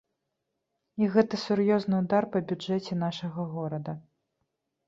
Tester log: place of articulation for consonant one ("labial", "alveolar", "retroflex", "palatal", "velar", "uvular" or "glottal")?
velar